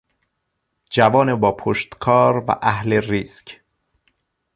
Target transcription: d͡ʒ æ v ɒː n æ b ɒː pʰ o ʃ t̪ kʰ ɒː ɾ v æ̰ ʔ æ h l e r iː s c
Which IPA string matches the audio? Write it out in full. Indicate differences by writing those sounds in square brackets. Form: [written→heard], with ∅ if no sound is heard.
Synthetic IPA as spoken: d͡ʒ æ v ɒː n [æ→e] b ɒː pʰ o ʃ t̪ kʰ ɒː ɾ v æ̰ ʔ æ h l e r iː s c